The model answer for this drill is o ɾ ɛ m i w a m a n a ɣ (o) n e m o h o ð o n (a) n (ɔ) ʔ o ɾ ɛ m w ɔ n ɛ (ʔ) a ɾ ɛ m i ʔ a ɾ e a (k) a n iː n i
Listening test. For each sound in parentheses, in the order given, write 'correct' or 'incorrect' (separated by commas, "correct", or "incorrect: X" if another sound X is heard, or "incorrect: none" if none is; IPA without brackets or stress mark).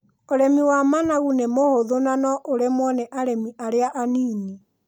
incorrect: u, correct, correct, correct, incorrect: ʔ